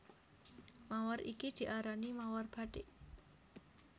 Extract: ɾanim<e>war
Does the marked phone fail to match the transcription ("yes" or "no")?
yes